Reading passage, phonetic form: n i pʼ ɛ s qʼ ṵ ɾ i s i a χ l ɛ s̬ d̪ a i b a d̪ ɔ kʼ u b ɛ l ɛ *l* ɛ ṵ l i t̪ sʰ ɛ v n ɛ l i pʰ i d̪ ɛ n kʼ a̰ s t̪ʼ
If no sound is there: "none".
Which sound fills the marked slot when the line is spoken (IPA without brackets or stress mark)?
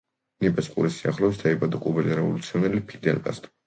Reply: ɾ